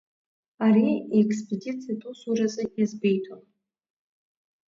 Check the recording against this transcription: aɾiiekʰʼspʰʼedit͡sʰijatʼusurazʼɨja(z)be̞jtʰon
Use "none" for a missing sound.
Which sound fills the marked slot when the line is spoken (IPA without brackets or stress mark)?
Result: z